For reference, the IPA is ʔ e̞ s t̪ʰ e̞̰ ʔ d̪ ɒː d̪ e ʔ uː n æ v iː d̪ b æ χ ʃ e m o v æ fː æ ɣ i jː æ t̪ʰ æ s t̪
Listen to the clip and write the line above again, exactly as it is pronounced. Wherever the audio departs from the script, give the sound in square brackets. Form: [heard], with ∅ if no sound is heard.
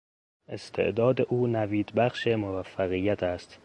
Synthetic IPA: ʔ e̞ s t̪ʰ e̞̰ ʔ d̪ ɒː d̪ e ʔ uː n æ v iː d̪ b æ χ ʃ e m o v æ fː æ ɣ i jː æ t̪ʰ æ s t̪